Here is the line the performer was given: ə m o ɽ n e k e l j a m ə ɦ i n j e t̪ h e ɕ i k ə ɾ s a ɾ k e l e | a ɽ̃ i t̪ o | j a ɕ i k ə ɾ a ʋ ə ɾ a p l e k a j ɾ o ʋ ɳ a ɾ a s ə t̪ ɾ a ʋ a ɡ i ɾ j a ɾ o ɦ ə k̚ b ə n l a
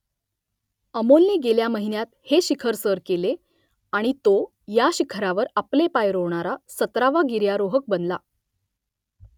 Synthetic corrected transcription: ə m o l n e ɡ e l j a m ə ɦ i n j a t̪ h e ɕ i kʰ ə ɾ s ə ɾ k e l e | a ɽ̃ i t̪ o | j a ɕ i kʰ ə ɾ a ʋ ə ɾ a p l e p a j ɾ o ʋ ɳ a ɾ a s ə t̪ ɾ a ʋ a ɡ i ɾ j a ɾ o ɦ ə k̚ b ə n l a